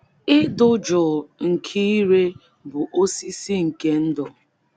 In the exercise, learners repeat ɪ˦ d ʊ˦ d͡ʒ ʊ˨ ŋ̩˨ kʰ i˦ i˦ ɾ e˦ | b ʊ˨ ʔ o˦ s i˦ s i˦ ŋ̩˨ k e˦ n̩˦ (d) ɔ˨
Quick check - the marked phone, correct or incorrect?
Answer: correct